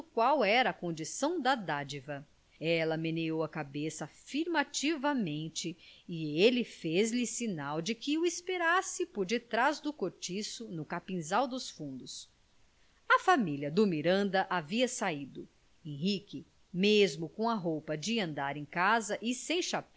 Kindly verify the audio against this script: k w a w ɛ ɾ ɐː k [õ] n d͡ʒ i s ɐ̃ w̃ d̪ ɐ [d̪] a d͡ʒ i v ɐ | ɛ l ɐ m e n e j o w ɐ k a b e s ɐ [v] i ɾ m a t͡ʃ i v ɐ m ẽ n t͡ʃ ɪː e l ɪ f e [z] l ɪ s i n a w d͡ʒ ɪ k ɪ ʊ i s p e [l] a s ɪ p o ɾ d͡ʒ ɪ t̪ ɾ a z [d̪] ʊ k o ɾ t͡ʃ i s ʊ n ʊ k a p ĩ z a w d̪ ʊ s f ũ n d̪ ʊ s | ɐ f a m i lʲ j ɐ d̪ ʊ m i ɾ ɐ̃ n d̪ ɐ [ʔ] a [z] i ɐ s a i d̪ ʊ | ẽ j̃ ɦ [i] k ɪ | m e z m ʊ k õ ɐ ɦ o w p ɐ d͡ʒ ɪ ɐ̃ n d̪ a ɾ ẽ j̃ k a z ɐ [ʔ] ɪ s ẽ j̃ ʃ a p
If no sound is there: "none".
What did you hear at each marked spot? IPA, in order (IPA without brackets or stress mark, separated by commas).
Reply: õ, d̪, f, z, ɾ, d̪, ʔ, v, i, ʔ